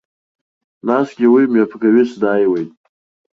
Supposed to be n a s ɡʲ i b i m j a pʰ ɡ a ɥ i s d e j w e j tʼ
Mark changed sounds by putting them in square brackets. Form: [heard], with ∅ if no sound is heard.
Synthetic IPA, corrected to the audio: n a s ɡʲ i [w] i m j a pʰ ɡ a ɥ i s d [a] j w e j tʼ